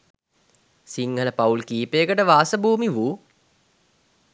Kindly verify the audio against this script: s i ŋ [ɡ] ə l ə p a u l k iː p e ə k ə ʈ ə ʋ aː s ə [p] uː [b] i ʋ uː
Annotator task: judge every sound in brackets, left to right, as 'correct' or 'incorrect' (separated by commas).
correct, incorrect, incorrect